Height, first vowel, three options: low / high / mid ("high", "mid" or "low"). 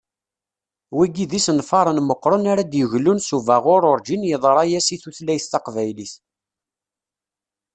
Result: high